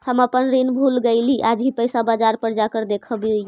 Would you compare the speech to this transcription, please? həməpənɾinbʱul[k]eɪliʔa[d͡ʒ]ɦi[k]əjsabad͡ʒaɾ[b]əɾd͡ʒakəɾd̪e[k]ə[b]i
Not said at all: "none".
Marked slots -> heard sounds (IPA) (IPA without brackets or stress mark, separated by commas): ɡ, d͡ʒ, p, p, kʰ, b